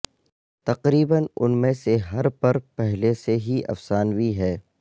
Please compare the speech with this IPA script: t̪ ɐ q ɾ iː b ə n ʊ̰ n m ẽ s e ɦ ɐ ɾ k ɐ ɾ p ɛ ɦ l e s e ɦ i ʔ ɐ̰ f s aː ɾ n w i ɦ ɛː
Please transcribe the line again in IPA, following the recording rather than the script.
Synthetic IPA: t̪ ɐ q ɾ iː b ə n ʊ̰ n m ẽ s e ɦ ɐ ɾ p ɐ ɾ p ɛ ɦ l e s e ɦ i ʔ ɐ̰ f s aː n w i ɦ ɛː